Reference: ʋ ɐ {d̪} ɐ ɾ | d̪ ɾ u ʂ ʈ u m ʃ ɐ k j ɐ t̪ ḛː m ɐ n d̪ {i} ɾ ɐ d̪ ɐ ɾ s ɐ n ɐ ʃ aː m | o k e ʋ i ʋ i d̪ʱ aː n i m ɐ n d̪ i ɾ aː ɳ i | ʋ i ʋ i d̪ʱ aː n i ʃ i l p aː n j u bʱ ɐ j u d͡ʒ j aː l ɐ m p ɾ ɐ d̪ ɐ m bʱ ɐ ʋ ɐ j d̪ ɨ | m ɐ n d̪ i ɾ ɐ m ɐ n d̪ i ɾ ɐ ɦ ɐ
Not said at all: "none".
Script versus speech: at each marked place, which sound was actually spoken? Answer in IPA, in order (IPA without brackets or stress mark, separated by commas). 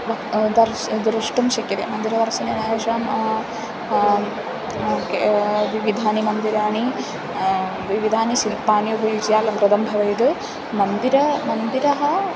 d̪, i